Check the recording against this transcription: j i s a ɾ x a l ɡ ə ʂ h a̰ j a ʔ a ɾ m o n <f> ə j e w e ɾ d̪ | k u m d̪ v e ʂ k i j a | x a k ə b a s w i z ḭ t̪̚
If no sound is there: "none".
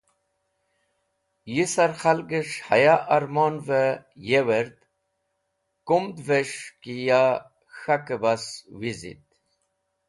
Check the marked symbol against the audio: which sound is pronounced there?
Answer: v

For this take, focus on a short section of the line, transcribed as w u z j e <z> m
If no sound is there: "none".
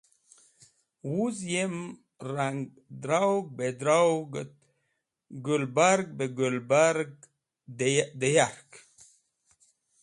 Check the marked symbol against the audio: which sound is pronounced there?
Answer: none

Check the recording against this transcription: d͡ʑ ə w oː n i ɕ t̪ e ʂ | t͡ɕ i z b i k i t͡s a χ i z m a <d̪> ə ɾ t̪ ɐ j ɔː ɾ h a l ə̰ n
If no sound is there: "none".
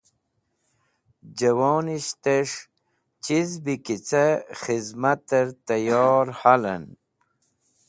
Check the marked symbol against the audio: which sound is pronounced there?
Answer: t̪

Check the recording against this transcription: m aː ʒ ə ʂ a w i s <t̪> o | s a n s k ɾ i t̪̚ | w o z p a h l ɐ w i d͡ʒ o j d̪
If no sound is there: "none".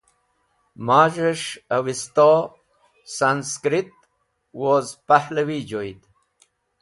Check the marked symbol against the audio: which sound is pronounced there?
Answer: t̪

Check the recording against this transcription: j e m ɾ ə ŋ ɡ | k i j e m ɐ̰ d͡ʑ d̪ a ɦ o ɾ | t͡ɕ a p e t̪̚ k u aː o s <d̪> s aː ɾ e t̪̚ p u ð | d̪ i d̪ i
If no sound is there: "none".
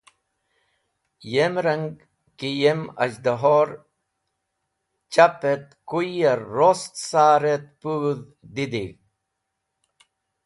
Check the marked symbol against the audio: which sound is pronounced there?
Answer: t̪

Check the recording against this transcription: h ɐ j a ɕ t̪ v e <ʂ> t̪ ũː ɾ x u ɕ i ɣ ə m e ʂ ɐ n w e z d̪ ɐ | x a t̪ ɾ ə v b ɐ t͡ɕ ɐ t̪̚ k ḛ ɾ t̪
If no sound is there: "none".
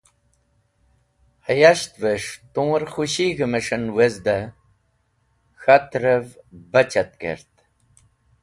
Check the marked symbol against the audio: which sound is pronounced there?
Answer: ʂ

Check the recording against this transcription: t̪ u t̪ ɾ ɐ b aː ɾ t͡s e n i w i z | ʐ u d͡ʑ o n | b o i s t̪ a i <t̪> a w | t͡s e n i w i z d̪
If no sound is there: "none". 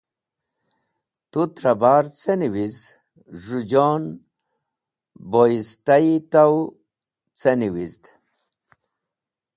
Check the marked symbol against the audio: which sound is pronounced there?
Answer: t̪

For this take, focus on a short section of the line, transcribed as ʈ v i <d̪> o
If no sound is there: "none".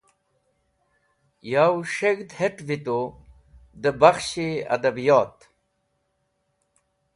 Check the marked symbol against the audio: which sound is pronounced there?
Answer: t̪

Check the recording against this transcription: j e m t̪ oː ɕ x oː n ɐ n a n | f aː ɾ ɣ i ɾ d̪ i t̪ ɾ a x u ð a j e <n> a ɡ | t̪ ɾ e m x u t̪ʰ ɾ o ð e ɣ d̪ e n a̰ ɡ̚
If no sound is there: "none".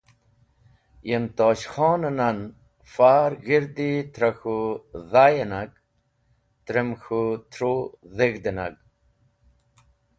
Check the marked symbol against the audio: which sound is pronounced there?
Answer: n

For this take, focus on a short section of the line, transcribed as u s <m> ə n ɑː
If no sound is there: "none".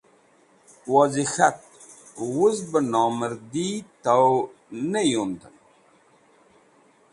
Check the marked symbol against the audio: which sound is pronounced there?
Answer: b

